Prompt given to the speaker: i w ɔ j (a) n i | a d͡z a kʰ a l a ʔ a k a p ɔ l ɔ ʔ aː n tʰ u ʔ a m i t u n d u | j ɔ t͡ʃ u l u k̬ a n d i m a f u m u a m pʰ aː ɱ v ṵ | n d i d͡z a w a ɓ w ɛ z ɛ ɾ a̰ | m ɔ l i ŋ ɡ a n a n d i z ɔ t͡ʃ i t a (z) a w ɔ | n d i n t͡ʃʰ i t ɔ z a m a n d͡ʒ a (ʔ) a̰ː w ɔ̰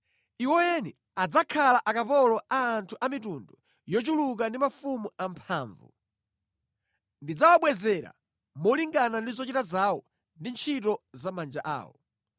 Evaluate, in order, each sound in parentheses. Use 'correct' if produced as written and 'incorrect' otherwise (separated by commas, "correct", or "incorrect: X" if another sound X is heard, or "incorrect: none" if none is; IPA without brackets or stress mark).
incorrect: ɛ, correct, correct